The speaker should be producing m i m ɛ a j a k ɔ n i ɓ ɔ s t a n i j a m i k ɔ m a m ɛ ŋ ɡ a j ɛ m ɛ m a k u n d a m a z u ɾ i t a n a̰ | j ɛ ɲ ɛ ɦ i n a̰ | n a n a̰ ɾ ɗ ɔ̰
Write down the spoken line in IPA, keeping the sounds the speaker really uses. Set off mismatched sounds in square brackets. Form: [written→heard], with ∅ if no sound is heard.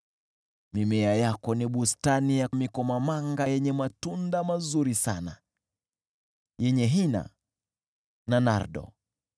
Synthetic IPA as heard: m i m ɛ a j a k ɔ n i ɓ [ɔ→u] s t a n i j a m i k ɔ m a m [ɛ→a] ŋ ɡ a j ɛ [m→ɲ] ɛ m a [k→t] u n d a m a z u ɾ i [t→s] a n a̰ | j ɛ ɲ ɛ ɦ i n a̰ | n a n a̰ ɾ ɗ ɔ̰